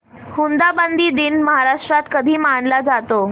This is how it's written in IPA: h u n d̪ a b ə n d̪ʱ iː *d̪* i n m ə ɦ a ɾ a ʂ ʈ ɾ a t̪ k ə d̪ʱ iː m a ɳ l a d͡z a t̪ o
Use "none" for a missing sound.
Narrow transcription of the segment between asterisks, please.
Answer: d̪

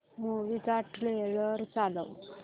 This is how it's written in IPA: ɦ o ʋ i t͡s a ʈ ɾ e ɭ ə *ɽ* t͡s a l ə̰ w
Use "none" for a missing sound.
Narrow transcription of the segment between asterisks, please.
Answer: ɾ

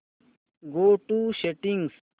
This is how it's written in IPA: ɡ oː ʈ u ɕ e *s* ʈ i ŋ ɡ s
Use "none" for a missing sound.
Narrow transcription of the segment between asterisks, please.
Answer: none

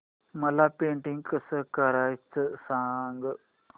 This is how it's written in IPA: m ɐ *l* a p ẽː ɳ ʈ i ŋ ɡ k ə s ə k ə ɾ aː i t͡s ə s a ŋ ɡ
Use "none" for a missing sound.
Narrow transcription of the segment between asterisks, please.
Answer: l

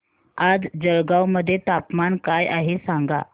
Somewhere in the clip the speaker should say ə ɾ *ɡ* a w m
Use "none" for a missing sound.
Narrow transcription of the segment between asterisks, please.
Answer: ɡ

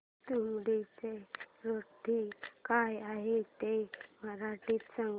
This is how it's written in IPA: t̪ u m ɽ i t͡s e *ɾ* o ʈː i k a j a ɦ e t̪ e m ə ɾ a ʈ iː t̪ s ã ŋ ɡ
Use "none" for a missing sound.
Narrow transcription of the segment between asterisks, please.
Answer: ɾ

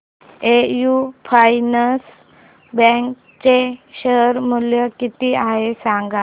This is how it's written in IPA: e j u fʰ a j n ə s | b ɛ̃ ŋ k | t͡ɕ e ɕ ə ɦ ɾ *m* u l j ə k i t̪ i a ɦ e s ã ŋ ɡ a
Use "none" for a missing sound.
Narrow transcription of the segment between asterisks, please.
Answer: m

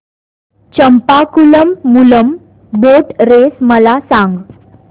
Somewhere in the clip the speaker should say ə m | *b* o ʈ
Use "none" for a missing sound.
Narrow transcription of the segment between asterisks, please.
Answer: b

